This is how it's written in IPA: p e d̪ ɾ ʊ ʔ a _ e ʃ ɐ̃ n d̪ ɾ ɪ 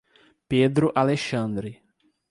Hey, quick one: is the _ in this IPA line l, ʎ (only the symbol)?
l